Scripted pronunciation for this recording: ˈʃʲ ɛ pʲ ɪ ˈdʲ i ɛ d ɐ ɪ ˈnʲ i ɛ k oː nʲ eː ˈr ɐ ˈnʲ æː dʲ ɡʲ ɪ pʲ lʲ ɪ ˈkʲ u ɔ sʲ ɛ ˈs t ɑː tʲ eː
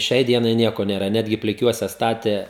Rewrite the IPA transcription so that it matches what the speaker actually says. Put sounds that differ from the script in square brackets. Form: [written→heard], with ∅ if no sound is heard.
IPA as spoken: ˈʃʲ ɛ [pʲ→∅] ɪ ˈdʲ i ɛ [d→n] ɐ ɪ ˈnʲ i ɛ k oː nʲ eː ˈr ɐ ˈnʲ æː dʲ ɡʲ ɪ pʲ lʲ ɪ ˈkʲ u ɔ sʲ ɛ ˈs t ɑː tʲ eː